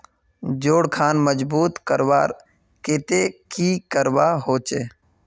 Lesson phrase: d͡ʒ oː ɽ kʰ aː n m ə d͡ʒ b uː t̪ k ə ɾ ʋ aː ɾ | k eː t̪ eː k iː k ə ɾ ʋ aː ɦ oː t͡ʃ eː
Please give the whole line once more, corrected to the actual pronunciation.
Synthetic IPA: d͡ʒ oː ɽ kʰ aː n m ə d͡ʒ b uː t̪ k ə ɾ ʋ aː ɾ | k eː t̪ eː k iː k ə ɾ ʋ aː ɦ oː t͡ʃ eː